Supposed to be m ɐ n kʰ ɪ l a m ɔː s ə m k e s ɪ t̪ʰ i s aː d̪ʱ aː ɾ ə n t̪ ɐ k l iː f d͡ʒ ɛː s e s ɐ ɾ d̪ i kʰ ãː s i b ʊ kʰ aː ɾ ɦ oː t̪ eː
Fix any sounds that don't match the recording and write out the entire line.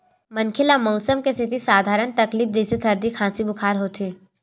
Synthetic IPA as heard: m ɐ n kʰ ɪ l a m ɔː s ə m k e s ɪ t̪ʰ i s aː d̪ʱ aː ɾ ə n t̪ ɐ k l iː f d͡ʒ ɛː s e s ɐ ɾ d̪ i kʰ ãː s i b ʊ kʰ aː ɾ ɦ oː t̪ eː